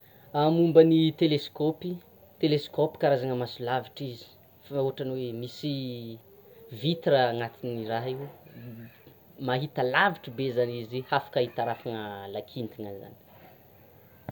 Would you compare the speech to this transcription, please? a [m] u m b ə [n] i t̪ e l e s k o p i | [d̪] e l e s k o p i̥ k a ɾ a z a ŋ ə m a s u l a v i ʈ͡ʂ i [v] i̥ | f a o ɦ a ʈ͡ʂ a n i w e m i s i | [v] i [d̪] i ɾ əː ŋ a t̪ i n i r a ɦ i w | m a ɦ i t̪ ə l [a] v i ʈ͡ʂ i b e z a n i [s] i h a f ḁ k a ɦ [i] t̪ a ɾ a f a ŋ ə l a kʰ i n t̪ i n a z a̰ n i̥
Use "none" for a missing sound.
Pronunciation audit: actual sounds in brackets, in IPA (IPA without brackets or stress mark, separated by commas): m, n, t̪, z, v, t̪, a, z, i